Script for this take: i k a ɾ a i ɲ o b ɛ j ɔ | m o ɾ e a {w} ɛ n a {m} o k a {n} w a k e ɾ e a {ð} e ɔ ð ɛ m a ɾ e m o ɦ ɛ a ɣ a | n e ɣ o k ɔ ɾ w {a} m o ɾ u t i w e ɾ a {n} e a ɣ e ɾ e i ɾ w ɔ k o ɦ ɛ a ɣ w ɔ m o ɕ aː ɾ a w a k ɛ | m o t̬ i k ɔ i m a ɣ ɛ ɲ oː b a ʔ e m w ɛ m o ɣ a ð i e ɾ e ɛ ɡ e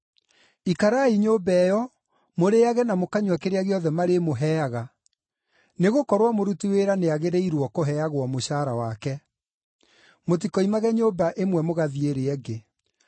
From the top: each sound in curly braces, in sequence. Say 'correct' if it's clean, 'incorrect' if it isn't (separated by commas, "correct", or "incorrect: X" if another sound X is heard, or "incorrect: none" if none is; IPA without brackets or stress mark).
incorrect: ɣ, correct, incorrect: ɲ, incorrect: ɣ, correct, correct